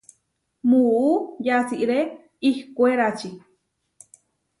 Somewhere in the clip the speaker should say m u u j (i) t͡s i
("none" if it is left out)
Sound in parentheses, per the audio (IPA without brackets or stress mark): a